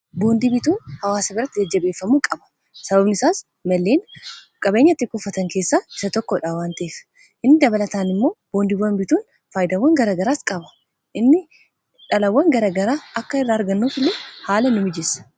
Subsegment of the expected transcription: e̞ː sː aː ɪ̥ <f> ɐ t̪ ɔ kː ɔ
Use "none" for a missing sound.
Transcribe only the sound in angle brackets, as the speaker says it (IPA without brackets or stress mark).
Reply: s